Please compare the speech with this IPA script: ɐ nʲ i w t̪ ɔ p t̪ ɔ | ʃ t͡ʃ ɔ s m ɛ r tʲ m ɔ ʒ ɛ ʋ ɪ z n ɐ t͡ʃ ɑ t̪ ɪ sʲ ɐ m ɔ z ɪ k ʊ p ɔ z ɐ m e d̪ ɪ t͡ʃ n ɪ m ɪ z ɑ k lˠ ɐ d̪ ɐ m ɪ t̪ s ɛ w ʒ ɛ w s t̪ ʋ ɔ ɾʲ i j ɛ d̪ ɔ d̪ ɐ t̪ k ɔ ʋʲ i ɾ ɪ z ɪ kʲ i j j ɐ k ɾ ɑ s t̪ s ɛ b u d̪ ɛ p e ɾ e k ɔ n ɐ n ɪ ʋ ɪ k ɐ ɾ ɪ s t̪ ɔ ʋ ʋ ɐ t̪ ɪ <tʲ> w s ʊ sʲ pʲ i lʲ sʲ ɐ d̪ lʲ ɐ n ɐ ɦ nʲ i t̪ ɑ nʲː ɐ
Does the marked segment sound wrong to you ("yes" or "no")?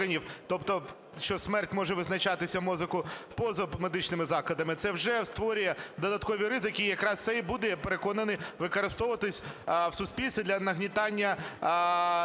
yes